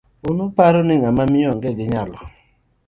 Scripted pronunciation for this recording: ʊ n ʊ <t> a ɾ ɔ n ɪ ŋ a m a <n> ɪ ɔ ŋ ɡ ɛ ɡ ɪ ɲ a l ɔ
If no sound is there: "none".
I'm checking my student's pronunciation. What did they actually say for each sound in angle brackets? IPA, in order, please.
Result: p, m

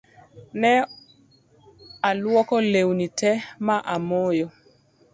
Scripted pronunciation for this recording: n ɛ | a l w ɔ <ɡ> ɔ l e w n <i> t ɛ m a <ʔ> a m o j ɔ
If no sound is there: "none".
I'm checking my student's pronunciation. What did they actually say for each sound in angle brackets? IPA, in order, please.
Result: k, i, ʔ

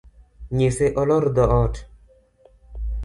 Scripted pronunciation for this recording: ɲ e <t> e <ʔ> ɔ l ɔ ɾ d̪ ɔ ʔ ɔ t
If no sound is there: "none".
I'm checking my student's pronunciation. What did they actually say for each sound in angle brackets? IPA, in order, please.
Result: s, ʔ

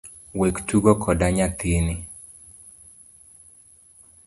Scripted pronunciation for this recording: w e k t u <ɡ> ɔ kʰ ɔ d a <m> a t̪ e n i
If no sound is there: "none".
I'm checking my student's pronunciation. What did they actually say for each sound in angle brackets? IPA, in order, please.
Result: ɡ, ɲ

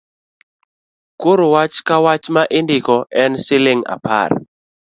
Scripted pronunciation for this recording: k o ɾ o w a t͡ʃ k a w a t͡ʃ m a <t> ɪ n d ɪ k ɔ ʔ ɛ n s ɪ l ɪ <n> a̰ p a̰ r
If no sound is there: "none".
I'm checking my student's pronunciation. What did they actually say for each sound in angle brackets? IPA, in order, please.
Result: ʔ, ŋ

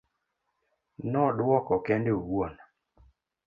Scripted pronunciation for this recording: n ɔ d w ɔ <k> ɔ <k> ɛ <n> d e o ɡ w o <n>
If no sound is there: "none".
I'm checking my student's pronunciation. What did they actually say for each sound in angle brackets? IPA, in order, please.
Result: k, k, n, n

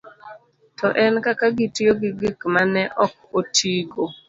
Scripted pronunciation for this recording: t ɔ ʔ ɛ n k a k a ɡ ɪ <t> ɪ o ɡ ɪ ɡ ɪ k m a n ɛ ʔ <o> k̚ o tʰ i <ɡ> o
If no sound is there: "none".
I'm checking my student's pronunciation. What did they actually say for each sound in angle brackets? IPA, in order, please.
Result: t, ɔ, ɡ

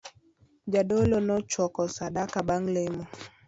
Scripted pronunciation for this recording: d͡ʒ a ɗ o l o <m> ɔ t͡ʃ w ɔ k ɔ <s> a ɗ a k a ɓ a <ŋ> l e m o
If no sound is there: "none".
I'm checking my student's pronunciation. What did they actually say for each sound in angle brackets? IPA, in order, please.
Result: n, s, ŋ

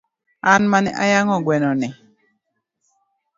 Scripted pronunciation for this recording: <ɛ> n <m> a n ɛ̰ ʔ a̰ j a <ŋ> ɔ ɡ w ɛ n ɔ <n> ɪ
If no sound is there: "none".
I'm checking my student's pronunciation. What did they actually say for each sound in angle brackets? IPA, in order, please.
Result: a, m, ŋ, n

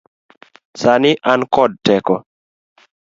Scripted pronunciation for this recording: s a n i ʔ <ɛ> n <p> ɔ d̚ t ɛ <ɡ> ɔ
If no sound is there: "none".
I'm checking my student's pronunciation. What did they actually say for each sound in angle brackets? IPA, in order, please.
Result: a, k, k

